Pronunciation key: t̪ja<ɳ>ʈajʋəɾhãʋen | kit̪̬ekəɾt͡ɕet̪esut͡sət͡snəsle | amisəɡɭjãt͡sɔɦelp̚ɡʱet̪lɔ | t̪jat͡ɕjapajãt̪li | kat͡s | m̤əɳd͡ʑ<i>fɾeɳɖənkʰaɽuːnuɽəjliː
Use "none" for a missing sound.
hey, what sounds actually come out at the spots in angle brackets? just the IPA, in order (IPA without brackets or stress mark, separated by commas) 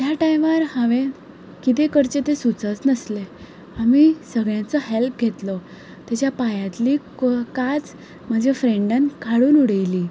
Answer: none, e